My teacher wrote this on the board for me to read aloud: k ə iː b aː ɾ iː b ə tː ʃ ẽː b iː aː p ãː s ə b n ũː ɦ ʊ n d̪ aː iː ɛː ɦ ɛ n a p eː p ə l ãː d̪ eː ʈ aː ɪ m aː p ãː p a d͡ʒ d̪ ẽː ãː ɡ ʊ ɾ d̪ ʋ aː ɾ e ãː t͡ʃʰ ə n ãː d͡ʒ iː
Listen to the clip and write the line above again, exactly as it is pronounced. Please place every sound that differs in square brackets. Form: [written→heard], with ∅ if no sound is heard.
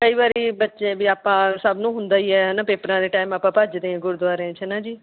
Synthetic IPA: k ə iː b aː ɾ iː b ə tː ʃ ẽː b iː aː p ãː s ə b n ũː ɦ ʊ n d̪ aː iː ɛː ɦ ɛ n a p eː p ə [l→ɾ] ãː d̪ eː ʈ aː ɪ m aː p ãː p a d͡ʒ d̪ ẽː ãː ɡ ʊ ɾ d̪ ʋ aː ɾ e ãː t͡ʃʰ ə n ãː d͡ʒ iː